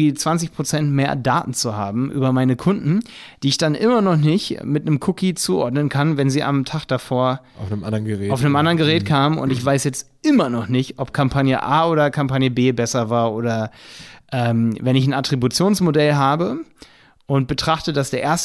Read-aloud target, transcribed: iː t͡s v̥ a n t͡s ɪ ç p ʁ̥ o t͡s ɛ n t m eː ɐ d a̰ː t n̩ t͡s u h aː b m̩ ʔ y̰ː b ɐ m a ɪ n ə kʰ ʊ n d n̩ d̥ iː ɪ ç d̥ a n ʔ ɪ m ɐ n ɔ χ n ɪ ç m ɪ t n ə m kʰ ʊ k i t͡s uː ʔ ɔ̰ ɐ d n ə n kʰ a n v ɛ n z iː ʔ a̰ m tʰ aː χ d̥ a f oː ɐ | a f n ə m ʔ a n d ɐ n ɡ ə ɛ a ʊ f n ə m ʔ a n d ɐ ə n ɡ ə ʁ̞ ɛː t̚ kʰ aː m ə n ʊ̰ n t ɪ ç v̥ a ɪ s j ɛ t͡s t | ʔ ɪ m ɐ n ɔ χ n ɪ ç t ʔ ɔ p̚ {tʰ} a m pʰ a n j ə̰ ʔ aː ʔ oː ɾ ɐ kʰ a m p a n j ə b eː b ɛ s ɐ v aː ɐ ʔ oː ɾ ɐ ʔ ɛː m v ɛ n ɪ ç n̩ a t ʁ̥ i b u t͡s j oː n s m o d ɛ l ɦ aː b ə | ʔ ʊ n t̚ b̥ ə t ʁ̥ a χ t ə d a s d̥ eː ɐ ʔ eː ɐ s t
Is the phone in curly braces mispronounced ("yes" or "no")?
yes